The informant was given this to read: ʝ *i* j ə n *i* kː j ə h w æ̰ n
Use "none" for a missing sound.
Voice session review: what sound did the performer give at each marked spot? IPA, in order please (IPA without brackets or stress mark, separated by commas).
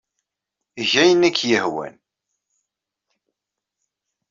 æ, æ